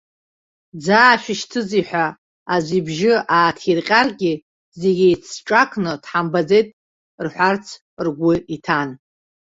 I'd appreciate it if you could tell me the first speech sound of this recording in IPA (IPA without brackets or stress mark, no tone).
d͡z